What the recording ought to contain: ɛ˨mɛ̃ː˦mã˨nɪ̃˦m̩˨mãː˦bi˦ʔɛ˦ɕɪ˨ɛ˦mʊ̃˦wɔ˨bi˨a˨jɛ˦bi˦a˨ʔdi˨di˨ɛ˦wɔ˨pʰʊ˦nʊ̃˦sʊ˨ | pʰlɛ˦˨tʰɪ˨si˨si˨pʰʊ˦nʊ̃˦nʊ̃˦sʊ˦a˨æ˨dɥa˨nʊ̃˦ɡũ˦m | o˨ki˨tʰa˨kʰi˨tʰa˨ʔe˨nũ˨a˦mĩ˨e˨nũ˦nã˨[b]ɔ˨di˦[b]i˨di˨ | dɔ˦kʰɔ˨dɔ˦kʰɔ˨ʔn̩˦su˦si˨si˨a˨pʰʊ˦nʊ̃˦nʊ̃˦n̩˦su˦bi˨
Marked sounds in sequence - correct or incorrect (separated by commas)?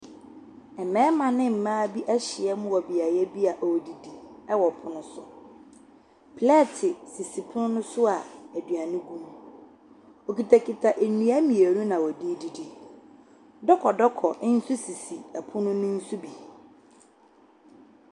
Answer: incorrect, incorrect